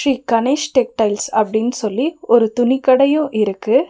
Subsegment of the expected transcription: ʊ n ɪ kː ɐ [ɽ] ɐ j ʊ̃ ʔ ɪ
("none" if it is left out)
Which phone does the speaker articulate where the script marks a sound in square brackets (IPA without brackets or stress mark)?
ɽ